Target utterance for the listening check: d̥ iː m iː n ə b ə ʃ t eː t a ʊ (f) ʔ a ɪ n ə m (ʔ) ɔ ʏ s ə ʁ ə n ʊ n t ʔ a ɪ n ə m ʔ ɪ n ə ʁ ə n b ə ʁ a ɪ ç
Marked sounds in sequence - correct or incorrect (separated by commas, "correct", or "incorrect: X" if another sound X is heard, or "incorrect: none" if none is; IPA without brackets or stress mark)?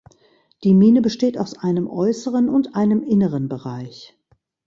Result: incorrect: s, correct